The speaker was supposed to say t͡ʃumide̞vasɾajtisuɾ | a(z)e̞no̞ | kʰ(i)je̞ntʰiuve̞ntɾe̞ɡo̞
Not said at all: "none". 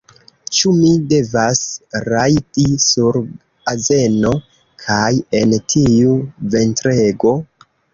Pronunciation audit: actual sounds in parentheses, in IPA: z, a

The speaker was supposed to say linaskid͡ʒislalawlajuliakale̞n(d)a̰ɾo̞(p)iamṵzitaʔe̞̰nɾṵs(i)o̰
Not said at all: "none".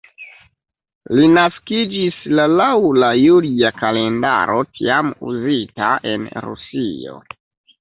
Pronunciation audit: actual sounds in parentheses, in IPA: d, t, i

